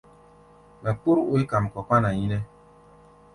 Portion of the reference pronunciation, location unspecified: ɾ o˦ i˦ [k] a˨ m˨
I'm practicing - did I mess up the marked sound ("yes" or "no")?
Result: no